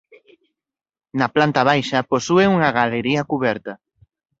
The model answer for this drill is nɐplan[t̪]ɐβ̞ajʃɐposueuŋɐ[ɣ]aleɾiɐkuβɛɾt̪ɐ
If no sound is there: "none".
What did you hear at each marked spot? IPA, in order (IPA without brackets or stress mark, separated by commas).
t̪, ɣ